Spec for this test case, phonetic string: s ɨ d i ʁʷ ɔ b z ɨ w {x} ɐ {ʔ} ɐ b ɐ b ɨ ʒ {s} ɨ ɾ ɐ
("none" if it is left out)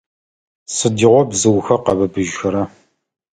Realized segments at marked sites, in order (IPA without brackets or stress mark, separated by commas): x, q, x